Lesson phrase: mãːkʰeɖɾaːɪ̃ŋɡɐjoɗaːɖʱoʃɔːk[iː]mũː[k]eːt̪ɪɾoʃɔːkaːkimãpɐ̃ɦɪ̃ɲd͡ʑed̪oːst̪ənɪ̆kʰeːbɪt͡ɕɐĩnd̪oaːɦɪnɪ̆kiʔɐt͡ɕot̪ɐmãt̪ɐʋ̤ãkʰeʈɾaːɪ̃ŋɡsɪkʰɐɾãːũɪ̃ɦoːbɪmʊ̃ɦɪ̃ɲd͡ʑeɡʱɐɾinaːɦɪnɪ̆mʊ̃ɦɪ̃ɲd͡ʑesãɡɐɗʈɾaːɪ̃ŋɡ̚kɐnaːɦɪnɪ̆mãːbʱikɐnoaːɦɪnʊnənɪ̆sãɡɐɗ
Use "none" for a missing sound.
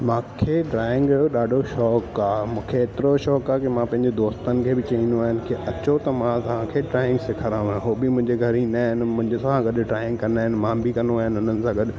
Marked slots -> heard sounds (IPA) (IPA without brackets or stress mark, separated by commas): aː, kʰ